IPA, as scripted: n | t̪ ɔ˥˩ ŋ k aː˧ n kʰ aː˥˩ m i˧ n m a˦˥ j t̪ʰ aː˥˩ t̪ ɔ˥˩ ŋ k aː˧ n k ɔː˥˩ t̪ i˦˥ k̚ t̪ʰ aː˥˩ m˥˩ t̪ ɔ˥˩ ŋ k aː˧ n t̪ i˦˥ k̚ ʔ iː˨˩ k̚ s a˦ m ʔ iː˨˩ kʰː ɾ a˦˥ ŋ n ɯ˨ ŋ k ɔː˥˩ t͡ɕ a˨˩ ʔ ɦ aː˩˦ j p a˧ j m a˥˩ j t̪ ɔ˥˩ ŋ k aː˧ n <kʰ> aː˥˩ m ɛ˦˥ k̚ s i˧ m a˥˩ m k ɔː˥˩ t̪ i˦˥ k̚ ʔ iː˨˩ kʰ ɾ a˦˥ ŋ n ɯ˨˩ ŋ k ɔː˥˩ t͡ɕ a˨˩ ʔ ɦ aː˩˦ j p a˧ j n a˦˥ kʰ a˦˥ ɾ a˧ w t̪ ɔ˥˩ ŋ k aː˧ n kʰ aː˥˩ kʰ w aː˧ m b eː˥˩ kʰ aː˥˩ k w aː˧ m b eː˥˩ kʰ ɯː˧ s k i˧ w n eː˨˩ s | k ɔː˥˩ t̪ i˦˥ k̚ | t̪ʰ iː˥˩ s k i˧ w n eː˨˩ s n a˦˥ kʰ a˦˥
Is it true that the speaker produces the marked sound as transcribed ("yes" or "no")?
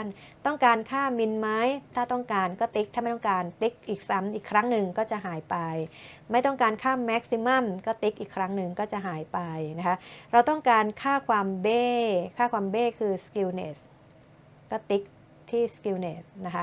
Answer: yes